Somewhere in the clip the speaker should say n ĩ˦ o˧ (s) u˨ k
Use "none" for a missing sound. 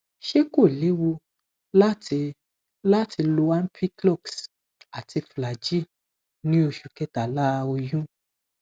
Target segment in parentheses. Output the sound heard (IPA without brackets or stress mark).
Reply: ʃ